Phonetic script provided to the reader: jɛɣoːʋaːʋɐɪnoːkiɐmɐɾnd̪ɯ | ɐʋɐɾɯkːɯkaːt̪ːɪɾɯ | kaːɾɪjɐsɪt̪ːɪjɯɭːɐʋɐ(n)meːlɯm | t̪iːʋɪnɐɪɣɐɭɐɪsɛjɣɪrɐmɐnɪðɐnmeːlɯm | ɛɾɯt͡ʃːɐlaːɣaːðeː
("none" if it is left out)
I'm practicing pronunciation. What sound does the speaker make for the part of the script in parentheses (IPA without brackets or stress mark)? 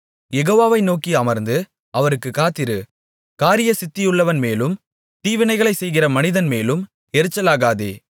n